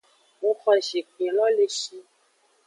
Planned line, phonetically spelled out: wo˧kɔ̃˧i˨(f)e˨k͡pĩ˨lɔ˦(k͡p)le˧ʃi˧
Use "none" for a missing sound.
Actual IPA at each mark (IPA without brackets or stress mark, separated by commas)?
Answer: ʃ, none